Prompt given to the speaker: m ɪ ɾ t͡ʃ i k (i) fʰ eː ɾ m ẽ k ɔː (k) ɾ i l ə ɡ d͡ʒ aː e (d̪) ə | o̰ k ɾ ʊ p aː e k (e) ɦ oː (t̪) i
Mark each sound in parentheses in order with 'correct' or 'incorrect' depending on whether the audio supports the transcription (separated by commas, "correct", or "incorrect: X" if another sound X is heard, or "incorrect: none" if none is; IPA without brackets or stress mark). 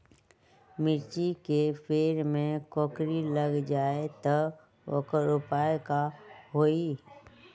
incorrect: e, correct, incorrect: t̪, incorrect: a, incorrect: none